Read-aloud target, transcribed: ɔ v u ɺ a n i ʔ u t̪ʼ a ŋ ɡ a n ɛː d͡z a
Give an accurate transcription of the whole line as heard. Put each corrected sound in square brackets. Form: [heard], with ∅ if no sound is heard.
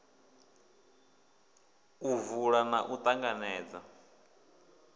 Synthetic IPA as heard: [u] v u ɺ a n [a] ʔ u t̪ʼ a ŋ ɡ a n ɛː d͡z a